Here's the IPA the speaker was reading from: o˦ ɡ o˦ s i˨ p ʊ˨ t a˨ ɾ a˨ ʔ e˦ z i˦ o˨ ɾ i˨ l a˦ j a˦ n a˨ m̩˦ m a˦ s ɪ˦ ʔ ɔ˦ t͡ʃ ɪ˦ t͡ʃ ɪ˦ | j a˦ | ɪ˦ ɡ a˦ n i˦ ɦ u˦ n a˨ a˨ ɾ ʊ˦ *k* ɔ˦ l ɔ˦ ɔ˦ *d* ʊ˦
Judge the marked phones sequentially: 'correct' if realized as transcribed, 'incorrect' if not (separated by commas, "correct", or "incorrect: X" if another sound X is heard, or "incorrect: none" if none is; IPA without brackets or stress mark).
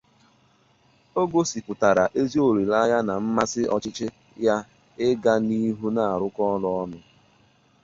correct, incorrect: n